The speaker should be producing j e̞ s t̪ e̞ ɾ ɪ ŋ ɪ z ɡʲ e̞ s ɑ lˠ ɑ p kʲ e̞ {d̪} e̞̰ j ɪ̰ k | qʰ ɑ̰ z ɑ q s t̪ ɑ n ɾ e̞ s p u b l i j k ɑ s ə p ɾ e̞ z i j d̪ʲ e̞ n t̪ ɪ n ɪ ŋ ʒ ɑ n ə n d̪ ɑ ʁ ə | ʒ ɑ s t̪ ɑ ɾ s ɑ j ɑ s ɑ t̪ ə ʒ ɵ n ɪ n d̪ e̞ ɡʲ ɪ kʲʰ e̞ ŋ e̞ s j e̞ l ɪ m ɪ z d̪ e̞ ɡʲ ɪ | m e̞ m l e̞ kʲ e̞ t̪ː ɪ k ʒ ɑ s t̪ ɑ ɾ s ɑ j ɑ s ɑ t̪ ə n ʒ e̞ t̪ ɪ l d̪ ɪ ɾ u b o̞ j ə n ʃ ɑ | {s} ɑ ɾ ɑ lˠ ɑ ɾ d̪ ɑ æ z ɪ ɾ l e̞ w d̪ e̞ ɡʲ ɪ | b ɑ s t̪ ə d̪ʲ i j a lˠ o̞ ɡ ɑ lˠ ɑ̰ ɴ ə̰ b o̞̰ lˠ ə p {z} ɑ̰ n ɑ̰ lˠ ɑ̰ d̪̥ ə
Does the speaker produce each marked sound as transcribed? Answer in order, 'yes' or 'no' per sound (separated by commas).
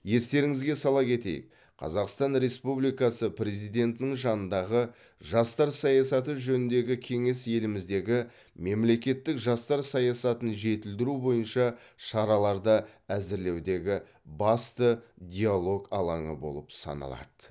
no, no, no